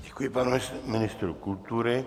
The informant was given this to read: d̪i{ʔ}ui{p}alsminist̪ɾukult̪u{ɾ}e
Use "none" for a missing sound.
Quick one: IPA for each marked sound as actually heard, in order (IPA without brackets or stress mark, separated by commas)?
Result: k, p, ɾ